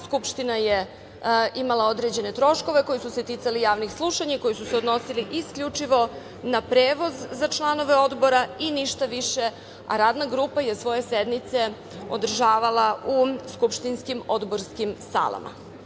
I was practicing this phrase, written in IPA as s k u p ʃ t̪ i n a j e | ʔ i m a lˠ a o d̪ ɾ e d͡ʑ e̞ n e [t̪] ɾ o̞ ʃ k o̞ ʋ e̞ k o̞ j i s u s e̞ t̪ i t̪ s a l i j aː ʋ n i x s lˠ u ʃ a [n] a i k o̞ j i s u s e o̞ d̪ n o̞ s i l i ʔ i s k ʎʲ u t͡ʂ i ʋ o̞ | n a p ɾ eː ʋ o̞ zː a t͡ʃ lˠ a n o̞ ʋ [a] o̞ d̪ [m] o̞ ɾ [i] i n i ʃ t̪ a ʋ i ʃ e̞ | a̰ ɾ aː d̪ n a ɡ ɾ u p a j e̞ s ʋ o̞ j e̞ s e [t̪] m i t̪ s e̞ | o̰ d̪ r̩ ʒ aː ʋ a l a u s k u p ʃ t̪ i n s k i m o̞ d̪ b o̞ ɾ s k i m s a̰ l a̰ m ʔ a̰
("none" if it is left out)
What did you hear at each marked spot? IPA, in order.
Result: t̪, ɲ, e, b, a, d̪

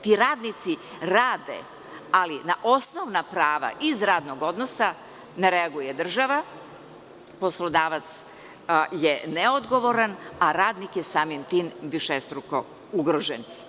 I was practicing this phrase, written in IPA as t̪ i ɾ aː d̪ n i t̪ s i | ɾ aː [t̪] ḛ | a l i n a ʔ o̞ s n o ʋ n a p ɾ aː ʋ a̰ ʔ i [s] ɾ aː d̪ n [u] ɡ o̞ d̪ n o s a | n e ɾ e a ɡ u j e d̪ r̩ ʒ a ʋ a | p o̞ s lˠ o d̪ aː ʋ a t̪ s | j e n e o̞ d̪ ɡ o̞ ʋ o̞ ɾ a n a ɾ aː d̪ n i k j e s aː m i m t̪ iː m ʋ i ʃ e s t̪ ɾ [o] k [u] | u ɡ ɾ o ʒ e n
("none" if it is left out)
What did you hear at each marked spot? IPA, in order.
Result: d̪, z, o, u, o

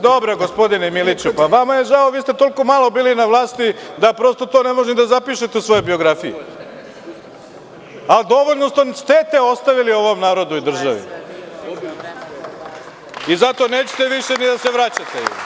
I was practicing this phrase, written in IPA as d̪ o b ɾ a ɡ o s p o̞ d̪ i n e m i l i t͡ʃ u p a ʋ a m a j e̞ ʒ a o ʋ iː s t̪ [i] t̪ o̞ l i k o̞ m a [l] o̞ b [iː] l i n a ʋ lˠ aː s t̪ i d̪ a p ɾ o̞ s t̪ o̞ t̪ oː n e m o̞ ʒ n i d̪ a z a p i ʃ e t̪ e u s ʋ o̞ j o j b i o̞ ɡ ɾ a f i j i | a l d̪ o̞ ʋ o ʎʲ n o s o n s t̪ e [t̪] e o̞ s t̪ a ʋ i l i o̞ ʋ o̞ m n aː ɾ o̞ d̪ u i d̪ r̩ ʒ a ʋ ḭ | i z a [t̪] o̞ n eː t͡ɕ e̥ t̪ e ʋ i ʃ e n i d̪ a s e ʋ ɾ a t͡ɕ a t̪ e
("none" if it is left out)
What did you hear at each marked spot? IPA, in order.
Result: e, l, iː, t̪, t̪

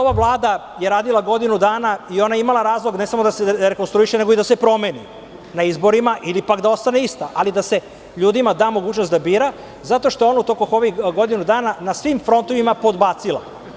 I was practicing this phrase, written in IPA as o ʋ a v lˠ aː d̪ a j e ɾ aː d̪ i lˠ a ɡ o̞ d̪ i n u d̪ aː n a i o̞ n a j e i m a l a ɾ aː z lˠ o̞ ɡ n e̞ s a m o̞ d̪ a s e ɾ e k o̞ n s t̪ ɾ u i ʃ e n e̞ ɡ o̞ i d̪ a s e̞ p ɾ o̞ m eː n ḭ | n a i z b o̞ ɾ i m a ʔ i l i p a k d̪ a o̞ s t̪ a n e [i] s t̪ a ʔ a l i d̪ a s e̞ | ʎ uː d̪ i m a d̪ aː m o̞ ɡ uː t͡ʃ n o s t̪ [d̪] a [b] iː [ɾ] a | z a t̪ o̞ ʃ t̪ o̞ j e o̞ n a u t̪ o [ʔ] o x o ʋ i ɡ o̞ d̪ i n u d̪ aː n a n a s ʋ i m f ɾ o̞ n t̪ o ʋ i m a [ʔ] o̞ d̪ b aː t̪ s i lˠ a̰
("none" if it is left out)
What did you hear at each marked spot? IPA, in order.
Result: i, d̪, b, ɾ, k, p

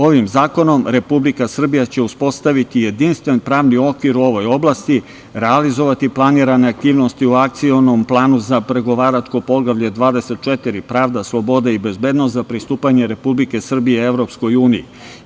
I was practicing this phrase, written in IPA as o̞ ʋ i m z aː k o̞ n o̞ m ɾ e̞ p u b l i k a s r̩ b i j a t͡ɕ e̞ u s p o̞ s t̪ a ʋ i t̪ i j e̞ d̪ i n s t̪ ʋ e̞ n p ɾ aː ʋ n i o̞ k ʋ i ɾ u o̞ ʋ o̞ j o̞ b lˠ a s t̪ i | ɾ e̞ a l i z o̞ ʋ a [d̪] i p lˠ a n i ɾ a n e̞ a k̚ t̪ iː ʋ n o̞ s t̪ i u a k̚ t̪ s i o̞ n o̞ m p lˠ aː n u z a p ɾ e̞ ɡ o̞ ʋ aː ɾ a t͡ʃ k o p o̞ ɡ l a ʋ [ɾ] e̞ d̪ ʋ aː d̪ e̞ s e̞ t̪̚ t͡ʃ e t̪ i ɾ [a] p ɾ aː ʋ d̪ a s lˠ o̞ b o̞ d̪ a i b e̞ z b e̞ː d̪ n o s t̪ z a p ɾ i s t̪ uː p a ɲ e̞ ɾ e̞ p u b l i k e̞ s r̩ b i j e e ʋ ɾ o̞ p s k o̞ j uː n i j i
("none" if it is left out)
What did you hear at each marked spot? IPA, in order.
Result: t̪, ʎ, i

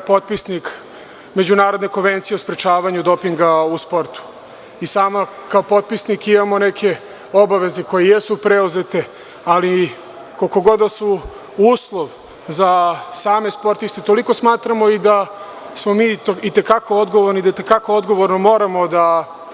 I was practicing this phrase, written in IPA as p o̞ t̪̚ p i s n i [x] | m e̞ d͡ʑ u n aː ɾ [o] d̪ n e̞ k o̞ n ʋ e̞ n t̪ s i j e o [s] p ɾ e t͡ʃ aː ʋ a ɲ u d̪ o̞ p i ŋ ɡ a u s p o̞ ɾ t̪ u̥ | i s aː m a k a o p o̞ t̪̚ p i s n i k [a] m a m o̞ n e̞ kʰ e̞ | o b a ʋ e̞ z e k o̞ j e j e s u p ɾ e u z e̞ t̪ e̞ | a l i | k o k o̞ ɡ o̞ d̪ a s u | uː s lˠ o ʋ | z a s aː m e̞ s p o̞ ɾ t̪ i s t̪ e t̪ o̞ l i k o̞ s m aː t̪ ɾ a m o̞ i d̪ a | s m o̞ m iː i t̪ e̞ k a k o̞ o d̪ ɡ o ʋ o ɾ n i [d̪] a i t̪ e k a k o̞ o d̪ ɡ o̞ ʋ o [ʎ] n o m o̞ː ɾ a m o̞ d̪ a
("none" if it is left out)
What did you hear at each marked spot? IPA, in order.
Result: k, o, s, i, d̪, ɾ

